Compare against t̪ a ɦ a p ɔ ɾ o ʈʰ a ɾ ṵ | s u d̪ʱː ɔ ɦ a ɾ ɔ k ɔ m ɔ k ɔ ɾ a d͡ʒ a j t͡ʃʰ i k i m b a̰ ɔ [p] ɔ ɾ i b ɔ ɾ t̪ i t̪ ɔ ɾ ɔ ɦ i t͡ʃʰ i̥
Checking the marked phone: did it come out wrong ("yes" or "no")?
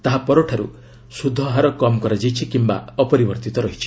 no